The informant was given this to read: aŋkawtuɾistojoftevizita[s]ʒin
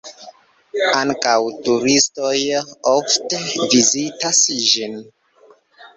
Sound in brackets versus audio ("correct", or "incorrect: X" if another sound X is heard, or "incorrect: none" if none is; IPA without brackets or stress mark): correct